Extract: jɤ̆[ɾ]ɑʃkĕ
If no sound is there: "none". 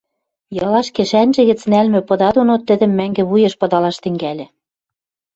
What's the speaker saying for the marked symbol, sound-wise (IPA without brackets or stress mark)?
l